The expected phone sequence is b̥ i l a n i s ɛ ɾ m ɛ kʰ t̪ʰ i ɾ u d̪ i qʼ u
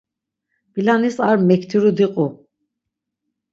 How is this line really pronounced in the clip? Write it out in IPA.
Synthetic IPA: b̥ i l a n i s a ɾ m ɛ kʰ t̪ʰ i ɾ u d̪ i qʼ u